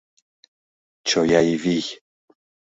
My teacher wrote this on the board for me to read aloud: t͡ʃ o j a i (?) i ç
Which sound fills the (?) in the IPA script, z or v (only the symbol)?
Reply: v